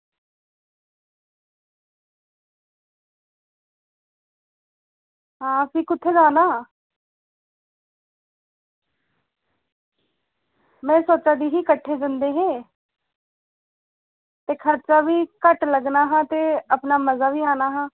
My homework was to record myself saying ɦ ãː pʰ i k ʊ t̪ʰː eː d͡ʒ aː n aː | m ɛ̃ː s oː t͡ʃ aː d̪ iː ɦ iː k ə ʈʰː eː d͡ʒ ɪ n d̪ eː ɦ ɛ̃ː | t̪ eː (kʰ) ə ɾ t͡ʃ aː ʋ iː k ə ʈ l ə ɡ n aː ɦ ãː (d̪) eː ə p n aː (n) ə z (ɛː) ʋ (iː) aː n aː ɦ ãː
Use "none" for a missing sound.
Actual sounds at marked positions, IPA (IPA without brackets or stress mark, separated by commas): kʰ, t̪, m, aː, iː